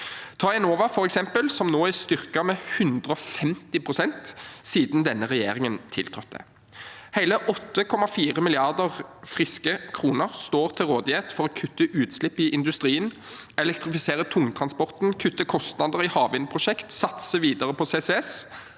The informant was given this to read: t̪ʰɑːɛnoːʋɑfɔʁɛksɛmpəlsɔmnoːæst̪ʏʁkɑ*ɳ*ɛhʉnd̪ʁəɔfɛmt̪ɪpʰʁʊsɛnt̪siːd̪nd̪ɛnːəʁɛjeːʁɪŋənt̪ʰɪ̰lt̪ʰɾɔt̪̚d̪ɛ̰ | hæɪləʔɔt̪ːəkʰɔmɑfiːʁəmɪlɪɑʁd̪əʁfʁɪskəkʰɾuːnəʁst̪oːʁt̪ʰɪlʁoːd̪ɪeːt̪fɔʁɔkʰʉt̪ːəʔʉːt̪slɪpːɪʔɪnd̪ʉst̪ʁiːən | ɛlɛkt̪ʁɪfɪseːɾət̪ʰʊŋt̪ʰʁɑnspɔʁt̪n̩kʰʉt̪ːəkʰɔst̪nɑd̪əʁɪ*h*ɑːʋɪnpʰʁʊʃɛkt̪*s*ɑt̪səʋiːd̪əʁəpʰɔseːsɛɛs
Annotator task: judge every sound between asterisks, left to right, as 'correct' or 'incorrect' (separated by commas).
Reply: incorrect, correct, correct